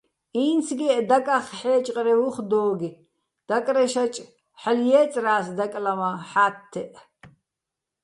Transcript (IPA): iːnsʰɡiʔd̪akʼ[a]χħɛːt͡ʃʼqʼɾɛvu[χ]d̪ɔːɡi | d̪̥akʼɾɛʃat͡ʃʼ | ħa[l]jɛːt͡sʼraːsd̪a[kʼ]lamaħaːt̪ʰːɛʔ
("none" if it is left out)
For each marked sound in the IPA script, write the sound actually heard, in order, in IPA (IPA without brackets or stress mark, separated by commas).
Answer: a, χ, l, kʼ